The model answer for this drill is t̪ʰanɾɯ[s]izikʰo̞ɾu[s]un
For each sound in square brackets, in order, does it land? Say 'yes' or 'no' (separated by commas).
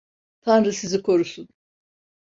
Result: yes, yes